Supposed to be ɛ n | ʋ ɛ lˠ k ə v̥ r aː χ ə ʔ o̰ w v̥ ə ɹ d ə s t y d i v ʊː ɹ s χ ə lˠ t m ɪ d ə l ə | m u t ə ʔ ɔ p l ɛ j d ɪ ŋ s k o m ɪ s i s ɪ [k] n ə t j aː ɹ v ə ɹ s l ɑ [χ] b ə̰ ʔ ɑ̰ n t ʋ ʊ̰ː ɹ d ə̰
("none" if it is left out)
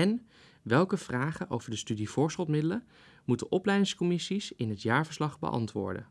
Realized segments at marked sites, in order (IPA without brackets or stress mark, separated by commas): none, χ